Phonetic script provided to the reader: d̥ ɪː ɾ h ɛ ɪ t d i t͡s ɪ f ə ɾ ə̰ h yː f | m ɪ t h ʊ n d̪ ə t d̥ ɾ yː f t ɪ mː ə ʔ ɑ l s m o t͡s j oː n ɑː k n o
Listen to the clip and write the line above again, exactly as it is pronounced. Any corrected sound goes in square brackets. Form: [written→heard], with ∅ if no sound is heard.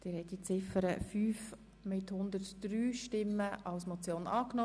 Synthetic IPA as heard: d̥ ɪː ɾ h ɛ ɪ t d i t͡s ɪ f ə ɾ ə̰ [h→f] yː f | m ɪ t h ʊ n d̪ ə t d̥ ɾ yː [f→ʃ] t ɪ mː ə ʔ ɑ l s m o t͡s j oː n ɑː k n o